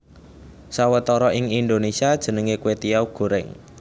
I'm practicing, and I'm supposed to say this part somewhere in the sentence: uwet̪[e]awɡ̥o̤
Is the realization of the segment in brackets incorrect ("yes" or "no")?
yes